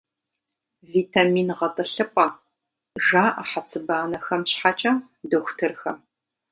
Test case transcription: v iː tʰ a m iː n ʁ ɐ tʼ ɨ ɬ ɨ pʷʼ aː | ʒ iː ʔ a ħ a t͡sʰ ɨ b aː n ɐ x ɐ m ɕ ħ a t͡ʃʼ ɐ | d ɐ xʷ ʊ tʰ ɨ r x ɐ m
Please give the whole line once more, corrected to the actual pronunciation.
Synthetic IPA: v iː tʰ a m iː n ʁ ɐ tʼ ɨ ɬ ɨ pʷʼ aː | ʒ aː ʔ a ħ a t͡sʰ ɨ b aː n ɐ x ɐ m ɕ ħ a t͡ʃʼ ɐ | d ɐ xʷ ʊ tʰ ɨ r x ɐ m